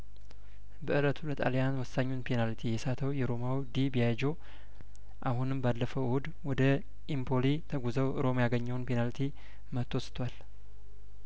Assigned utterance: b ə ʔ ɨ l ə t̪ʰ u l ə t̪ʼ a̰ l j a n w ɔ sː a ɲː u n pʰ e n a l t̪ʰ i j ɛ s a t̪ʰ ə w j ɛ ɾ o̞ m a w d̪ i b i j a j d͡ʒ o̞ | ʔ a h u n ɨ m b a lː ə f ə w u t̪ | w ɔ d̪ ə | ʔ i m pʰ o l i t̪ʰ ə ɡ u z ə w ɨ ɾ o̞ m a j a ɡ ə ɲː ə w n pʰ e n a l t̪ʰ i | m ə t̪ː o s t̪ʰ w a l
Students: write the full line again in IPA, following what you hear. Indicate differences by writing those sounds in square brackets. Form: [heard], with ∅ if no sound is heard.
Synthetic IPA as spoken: b ə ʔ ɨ l ə t̪ʰ u l ə t̪ʼ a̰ l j a n w ɔ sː a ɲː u n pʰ e n a l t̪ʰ i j ɛ s a t̪ʰ ə w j ɛ ɾ o̞ m a w d̪ i b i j a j d͡ʒ o̞ | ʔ a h u n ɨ m b a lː ə f ə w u [d̪] | w ɔ d̪ ə | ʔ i m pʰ o l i t̪ʰ ə ɡ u z ə w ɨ ɾ o̞ m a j a ɡ ə ɲː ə w n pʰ e n a l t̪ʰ i | m ə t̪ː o s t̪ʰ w a l